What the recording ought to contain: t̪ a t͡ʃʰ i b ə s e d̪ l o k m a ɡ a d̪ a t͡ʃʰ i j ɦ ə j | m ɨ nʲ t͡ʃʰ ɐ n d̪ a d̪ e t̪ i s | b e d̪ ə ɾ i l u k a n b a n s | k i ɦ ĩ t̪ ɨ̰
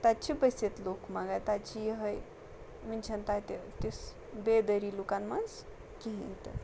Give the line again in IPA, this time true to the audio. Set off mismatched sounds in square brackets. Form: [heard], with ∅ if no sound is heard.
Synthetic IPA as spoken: t̪ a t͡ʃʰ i b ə s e [t̪] l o k m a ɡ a [t̪] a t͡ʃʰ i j ɦ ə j | m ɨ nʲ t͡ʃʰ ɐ n [t̪] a [t̪] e t̪ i s | b e d̪ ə ɾ i l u k a n [m] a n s | k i ɦ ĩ t̪ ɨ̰